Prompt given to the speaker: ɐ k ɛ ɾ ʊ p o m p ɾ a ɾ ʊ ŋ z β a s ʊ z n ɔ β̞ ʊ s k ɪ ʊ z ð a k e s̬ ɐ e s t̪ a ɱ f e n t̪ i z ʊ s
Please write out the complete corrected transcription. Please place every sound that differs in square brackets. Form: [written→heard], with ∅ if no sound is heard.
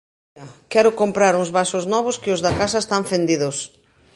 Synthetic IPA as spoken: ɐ k ɛ ɾ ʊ [p→k] o m p ɾ a ɾ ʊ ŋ z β a s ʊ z n ɔ β̞ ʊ s k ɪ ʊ z ð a k [e→a] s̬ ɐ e s t̪ a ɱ f e n [t̪→d̪] i [z→ð] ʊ s